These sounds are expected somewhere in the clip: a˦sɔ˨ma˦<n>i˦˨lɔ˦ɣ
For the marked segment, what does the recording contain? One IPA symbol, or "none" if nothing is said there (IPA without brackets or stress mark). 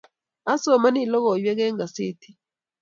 n